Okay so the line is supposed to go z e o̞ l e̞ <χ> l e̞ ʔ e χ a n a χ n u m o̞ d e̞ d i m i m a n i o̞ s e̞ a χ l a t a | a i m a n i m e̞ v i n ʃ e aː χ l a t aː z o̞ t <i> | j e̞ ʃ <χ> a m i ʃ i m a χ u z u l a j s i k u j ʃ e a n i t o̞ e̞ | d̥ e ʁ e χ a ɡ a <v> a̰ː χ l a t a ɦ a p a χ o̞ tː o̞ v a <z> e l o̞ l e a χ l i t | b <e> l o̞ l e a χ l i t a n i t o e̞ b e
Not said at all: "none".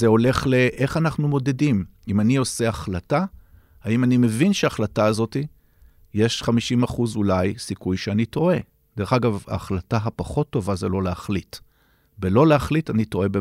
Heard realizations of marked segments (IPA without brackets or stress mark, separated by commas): χ, i, χ, v, z, e